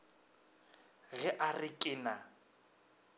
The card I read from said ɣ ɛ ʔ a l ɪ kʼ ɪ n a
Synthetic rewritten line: ɣ ɛ ʔ a r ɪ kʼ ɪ n a